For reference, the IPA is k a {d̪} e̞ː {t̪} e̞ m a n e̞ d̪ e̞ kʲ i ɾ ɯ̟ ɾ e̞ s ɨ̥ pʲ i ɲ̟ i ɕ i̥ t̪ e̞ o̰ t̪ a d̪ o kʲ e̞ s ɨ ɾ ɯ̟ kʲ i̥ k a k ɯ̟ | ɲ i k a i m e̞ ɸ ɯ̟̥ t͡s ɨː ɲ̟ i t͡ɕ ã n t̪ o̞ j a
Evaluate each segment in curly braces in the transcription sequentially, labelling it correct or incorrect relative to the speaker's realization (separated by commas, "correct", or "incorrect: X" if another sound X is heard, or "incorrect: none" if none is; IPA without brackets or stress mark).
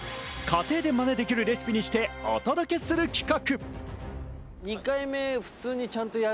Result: incorrect: t̪, incorrect: d̪